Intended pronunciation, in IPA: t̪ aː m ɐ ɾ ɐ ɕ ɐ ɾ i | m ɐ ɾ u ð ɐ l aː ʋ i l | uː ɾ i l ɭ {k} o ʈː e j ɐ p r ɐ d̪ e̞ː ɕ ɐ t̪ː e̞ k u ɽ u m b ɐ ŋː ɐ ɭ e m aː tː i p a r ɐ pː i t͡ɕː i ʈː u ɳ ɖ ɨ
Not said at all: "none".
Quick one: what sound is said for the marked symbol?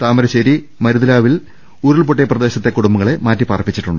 p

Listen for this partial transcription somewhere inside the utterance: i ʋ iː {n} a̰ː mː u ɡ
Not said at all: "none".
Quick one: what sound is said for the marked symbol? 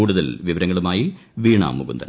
ɳ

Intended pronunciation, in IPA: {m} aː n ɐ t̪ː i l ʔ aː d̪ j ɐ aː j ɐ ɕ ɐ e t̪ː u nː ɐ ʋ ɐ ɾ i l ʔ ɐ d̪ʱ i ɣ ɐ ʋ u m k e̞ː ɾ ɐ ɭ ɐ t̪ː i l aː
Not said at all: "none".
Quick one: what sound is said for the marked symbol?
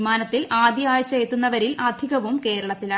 m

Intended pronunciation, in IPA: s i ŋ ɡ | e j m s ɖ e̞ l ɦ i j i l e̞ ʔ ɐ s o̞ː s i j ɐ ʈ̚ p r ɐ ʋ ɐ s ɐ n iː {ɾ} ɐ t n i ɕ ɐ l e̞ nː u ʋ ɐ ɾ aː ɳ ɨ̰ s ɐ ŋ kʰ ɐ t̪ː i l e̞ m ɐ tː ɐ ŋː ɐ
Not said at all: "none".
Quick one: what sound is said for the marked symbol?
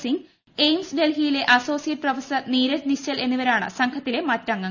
ɾ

